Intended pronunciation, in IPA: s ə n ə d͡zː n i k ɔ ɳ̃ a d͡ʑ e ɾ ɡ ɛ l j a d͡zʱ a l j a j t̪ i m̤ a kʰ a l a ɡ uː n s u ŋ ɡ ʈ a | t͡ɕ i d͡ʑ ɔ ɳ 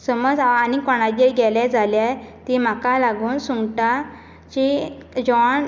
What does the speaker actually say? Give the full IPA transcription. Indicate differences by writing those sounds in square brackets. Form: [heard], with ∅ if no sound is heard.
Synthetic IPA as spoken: s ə [m] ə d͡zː n i k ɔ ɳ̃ a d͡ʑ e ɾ ɡ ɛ l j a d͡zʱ a l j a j t̪ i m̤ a [k] a l a ɡ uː n s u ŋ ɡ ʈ a | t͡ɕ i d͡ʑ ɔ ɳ